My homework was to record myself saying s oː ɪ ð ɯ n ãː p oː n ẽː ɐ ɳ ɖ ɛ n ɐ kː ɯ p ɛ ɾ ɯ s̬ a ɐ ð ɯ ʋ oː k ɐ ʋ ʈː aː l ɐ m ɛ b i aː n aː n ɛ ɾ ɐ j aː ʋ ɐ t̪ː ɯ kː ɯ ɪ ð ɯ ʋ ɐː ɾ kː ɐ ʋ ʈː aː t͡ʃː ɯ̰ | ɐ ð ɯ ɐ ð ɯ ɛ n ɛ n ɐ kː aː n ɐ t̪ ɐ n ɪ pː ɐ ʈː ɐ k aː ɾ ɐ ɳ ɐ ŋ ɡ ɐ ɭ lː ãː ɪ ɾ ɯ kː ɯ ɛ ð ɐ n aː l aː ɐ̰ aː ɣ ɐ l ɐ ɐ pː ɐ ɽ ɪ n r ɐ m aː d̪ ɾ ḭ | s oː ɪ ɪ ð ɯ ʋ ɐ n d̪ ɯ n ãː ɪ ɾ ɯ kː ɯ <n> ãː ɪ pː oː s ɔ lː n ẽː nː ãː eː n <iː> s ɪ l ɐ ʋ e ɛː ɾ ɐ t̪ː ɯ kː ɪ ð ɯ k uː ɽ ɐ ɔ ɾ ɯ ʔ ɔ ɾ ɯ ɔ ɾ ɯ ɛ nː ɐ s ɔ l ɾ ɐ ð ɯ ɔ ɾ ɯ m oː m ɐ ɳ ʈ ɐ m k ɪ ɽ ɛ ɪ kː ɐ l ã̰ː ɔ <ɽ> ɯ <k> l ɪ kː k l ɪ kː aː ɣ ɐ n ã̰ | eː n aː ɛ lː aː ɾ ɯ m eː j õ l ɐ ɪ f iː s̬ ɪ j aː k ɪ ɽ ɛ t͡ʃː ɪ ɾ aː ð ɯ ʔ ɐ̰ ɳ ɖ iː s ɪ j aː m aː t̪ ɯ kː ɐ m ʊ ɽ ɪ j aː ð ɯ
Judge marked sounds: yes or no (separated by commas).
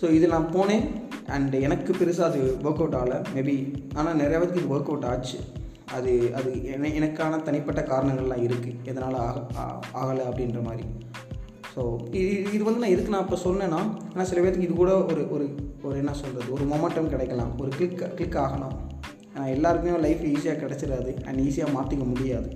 yes, no, no, yes